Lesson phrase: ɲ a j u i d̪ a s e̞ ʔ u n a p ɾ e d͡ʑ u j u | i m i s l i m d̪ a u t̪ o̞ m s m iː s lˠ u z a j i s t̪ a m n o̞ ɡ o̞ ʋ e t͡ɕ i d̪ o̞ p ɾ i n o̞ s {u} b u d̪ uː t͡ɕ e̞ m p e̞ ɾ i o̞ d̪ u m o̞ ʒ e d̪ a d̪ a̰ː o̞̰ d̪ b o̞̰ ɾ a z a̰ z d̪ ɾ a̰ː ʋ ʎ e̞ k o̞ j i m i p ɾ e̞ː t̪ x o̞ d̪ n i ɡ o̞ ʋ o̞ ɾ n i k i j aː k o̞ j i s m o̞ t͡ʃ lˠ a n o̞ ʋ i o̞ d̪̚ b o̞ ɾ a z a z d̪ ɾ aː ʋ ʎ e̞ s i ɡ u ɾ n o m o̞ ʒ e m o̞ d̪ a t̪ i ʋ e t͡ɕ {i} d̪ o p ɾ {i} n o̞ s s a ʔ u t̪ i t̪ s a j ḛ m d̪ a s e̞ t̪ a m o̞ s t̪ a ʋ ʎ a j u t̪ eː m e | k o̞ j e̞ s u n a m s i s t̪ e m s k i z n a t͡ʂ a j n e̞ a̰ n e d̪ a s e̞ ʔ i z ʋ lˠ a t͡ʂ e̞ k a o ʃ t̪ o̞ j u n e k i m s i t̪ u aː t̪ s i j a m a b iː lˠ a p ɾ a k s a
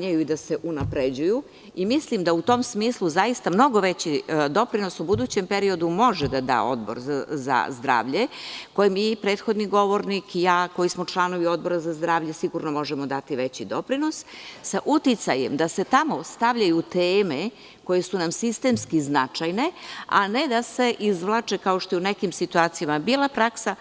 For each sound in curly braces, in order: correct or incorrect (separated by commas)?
correct, correct, correct